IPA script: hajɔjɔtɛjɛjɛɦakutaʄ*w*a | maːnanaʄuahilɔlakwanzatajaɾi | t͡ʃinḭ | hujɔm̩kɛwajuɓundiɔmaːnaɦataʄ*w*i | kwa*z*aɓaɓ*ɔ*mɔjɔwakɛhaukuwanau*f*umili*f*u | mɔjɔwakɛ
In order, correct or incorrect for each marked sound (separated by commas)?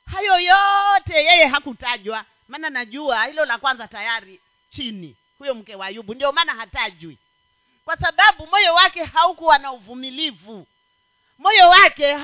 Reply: correct, correct, incorrect, incorrect, incorrect, incorrect